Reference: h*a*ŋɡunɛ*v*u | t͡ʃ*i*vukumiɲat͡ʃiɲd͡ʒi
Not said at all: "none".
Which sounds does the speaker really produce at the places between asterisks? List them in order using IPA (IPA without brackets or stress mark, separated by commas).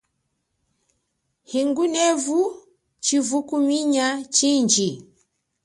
i, v, i